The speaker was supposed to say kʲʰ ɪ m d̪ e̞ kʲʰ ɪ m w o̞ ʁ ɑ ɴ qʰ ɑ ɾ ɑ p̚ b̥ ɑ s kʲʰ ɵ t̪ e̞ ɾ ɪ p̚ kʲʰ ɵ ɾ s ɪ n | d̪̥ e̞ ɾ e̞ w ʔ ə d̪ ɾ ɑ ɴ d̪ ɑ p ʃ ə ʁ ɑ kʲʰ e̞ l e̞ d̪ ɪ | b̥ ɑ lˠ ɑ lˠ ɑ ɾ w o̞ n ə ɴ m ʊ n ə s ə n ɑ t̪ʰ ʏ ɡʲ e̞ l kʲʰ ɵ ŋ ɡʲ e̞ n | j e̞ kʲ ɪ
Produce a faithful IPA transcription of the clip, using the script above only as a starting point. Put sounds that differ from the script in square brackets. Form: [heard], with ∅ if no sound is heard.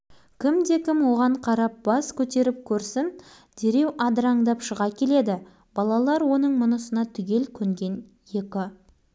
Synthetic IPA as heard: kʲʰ ɪ m d̪ e̞ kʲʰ ɪ m w o̞ ʁ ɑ ɴ qʰ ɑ ɾ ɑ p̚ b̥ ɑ s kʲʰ ɵ t̪ e̞ ɾ ɪ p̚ kʲʰ ɵ ɾ s ɪ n | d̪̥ e̞ ɾ e̞ w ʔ [ɑ] d̪ ɾ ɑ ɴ d̪ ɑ p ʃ ə ʁ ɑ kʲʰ e̞ l e̞ d̪ ɪ | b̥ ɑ lˠ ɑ lˠ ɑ ɾ w o̞ n ə ɴ m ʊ n ə s ə n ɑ t̪ʰ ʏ ɡʲ e̞ l kʲʰ ɵ ŋ ɡʲ e̞ n | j e̞ kʲ ɪ